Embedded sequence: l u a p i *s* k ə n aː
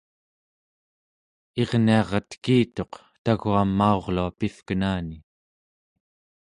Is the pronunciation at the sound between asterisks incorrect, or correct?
incorrect